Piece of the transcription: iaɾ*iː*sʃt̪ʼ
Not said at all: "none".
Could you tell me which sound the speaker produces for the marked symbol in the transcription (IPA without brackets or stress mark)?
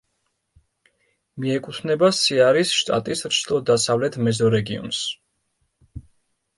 i